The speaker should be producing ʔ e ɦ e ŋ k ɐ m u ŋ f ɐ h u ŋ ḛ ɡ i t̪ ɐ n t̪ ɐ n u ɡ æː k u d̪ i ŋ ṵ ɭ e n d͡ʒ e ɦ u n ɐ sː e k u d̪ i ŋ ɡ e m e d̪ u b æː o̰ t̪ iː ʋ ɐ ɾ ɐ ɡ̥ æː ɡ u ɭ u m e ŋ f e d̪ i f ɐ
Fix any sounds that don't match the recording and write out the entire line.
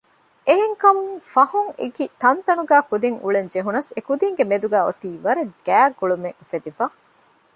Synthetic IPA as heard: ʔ e ɦ e ŋ k ɐ m u ŋ f ɐ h u ŋ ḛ ɡ i t̪ ɐ n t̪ ɐ n u ɡ æː k u d̪ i ŋ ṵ ɭ e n d͡ʒ e ɦ u n ɐ s e k u d̪ i ŋ ɡ e m e d̪ u ɡ æː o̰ t̪ iː ʋ ɐ ɾ ɐ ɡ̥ æː ɡ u ɭ u m e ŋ f e d̪ i f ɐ